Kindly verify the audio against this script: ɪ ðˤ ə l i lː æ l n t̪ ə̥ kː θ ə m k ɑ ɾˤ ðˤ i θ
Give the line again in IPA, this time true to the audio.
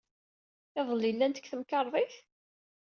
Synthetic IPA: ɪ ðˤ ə l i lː æ n t̪ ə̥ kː θ ə m k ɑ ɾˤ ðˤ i θ